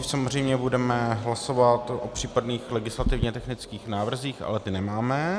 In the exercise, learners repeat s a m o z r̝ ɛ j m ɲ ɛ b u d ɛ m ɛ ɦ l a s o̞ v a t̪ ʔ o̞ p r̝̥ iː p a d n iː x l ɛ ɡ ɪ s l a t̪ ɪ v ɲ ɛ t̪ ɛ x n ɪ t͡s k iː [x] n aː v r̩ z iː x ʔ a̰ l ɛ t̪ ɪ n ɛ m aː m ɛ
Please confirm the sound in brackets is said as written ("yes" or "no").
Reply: yes